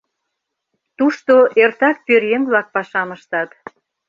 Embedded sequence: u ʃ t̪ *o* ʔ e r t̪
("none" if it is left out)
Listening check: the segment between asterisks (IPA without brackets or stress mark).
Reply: o